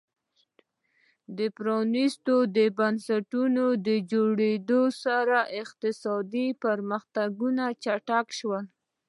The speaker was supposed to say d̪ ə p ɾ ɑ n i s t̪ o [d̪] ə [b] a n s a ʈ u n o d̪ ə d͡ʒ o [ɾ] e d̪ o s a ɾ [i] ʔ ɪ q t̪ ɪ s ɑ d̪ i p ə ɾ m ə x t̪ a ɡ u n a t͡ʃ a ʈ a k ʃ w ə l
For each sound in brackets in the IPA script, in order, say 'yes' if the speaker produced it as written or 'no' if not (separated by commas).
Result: yes, yes, no, no